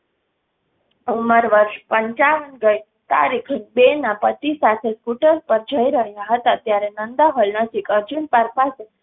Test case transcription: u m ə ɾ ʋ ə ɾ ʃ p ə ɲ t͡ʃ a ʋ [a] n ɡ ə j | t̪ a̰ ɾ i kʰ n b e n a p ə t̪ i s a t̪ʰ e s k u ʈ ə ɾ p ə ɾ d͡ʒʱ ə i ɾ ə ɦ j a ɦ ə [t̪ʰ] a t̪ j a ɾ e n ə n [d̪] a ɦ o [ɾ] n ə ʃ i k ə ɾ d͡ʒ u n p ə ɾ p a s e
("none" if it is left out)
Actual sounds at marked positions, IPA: ə, t̪, d̪, l

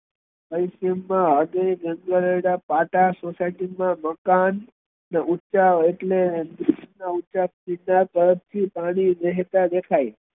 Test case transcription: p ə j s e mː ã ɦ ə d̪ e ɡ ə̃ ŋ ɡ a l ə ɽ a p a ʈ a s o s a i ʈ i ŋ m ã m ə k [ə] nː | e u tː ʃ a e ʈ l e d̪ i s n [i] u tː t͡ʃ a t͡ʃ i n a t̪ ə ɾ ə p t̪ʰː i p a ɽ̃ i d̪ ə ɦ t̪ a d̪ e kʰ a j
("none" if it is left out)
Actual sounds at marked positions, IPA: a, a

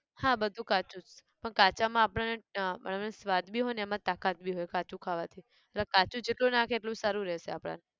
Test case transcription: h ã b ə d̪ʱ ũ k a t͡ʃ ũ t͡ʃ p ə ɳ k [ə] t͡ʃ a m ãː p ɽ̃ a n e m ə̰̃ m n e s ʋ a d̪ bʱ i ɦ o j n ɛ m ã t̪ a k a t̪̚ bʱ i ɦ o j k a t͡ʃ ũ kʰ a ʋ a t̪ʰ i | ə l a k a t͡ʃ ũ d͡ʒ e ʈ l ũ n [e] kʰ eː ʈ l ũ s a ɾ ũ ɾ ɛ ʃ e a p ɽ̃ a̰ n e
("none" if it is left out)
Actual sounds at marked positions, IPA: a, a

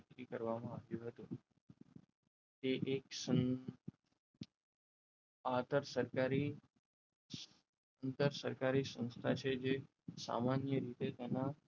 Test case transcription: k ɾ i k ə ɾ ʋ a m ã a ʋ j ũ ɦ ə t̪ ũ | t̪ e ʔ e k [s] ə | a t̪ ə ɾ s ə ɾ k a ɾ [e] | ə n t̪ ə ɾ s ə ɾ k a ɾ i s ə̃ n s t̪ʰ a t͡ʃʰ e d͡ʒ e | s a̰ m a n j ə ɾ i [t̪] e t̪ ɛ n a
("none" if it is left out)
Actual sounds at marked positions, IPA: s, i, t̪

